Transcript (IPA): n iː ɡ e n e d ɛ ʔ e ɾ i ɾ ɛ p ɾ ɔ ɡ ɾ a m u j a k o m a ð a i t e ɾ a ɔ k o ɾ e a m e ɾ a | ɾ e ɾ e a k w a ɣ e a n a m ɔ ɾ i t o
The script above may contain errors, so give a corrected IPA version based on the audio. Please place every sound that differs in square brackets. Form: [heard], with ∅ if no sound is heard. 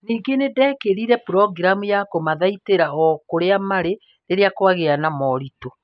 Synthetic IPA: n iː ɡ e n e d ɛ [k] e ɾ i ɾ ɛ p ɾ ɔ ɡ ɾ a m u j a k o m a ð a i t e ɾ a ɔ k o ɾ e a m [a] ɾ [e] | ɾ e ɾ e a k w a ɣ e a n a m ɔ ɾ i t o